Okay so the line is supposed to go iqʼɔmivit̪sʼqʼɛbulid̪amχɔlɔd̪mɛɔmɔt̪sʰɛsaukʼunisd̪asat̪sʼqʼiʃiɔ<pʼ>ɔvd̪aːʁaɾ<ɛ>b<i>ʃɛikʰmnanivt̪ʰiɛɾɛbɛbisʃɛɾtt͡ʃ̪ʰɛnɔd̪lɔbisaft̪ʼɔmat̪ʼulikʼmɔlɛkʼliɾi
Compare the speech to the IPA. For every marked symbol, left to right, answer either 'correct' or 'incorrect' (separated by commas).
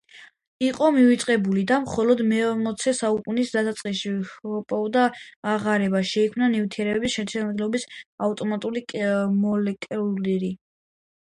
correct, correct, incorrect